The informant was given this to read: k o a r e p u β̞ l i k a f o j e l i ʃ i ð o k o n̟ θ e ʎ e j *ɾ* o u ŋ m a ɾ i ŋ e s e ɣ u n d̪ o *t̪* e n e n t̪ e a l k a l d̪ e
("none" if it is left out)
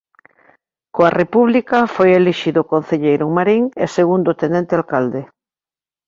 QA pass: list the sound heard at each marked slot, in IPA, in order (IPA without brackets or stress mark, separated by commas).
ɾ, t̪